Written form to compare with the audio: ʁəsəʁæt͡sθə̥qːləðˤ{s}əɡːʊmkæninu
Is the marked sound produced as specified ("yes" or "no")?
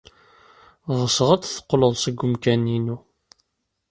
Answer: yes